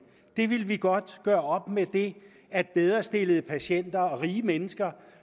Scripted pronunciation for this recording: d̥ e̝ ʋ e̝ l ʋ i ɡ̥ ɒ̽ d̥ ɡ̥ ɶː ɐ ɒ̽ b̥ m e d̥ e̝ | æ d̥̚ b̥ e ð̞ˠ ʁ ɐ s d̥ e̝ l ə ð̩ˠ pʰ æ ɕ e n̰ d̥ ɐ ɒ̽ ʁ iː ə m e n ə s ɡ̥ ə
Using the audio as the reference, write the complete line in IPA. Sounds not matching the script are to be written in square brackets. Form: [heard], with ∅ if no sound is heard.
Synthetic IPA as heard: d̥ e̝ ʋ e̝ l ʋ i ɡ̥ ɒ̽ d̥ ɡ̥ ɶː ɐ ɒ̽ b̥ m e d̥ e̝ | æ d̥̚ b̥ e ð̞ˠ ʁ ɐ s d̥ e̝ l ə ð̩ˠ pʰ æ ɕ e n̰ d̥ ɐ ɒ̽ ʁ iː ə m e n ə s ɡ̥ [ɐ]